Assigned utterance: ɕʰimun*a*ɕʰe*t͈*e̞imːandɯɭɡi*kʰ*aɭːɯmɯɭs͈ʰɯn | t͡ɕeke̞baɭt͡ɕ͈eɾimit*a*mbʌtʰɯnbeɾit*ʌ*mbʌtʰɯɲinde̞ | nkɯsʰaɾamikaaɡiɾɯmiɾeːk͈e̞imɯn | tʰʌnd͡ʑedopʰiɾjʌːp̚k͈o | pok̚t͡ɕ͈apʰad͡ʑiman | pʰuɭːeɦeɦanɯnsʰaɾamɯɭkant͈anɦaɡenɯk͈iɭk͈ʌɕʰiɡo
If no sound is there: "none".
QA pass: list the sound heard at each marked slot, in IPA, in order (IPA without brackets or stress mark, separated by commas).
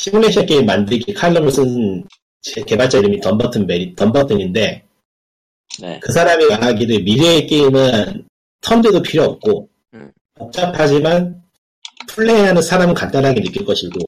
e, k͈, kʰ, ʌ, ʌ